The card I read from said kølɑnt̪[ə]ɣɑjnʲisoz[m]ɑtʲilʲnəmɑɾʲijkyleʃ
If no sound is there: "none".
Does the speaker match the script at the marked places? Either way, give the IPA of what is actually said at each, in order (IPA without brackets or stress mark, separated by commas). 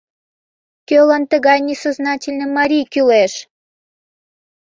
ə, n